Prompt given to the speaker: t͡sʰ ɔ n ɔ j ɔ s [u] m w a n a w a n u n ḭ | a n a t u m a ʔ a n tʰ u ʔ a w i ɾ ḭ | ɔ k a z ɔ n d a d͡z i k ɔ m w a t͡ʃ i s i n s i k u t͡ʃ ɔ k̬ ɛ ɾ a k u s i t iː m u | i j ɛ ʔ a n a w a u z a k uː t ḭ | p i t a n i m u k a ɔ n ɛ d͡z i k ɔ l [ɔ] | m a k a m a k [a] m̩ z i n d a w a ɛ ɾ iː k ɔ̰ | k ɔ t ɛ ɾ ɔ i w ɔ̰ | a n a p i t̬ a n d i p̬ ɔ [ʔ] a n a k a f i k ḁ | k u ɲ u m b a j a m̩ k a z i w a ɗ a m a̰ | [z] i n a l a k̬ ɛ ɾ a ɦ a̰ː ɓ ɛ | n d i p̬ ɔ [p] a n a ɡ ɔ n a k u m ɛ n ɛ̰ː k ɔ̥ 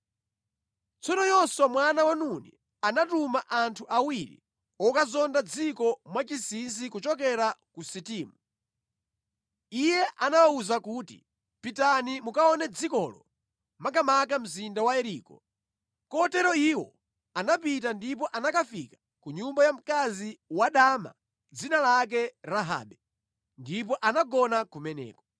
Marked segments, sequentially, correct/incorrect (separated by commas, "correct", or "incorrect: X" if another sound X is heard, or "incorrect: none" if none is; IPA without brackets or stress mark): incorrect: ɔ, correct, correct, correct, incorrect: d͡z, incorrect: ʔ